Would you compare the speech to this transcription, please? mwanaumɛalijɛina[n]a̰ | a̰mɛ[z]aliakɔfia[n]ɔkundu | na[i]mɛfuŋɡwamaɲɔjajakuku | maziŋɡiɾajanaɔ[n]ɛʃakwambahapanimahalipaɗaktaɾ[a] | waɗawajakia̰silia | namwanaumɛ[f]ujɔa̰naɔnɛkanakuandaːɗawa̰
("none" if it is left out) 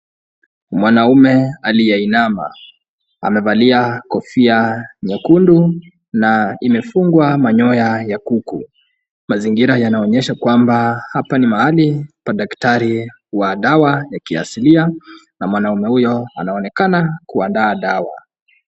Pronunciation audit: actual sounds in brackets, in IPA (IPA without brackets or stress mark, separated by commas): m, v, ɲ, i, ɲ, i, h